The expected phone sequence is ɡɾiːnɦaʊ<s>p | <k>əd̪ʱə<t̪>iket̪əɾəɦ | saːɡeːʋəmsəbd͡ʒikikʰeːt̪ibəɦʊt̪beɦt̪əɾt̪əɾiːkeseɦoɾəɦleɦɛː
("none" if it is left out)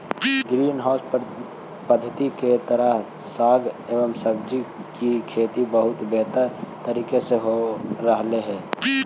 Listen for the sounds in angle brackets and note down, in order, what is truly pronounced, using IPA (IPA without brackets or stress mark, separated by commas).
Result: s, p, t̪